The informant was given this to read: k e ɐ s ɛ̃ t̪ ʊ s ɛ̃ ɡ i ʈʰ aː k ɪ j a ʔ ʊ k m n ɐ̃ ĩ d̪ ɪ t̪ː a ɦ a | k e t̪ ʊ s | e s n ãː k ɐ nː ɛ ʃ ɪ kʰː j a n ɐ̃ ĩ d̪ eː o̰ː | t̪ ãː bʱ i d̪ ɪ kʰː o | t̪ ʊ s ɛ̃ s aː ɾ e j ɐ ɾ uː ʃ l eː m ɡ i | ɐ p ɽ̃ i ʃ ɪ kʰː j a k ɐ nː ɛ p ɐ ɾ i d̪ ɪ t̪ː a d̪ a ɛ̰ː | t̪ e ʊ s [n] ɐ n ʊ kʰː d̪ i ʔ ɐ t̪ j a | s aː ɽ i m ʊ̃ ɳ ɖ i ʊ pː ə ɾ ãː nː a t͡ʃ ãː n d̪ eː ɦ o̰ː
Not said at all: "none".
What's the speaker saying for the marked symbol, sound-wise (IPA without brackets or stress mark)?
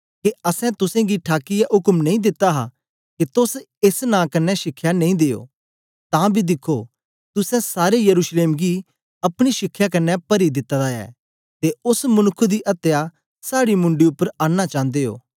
m